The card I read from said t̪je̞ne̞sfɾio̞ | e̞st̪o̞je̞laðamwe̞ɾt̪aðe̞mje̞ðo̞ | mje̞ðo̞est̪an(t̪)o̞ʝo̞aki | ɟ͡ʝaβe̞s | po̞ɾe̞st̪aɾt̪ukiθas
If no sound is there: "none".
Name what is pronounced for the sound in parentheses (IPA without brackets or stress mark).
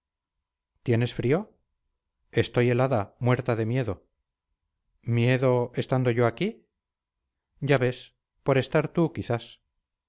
d̪